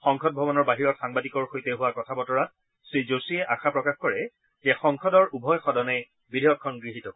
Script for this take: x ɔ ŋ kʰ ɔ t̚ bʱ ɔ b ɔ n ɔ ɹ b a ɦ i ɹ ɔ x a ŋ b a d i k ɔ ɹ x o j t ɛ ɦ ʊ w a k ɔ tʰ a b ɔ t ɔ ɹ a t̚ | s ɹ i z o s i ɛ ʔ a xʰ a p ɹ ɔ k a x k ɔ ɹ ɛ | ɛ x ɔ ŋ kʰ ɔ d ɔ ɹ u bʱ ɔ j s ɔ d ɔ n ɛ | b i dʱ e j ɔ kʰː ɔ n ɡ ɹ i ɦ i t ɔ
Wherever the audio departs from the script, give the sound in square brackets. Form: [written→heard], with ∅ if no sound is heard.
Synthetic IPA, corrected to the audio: x ɔ ŋ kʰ ɔ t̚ bʱ ɔ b ɔ n ɔ ɹ b a ɦ i ɹ ɔ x a ŋ b a d i k ɔ ɹ x o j t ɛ ɦ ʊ w a k ɔ tʰ a b ɔ t ɔ ɹ a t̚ | s ɹ i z o s i ɛ ʔ a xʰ a p ɹ ɔ k a x k ɔ ɹ ɛ | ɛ x ɔ ŋ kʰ ɔ d ɔ ɹ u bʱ ɔ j [s→x] ɔ d ɔ n ɛ | b i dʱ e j ɔ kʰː ɔ n ɡ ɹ i ɦ i t ɔ